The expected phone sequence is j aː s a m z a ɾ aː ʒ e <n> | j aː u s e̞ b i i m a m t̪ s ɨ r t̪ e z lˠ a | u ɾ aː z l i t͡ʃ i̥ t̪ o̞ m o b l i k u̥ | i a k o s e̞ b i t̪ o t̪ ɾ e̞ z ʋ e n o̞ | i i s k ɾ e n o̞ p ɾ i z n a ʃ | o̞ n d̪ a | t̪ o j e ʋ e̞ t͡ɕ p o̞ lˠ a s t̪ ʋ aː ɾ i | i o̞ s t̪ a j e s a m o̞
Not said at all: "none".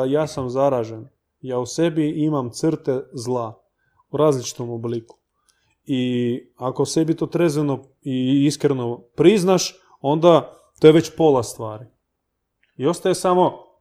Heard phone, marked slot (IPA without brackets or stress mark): n